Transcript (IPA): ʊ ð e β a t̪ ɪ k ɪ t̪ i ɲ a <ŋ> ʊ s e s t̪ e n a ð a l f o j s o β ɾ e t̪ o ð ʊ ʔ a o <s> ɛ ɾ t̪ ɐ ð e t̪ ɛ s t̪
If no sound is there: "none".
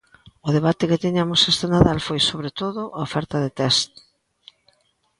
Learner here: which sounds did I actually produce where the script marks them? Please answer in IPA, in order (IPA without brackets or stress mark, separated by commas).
m, f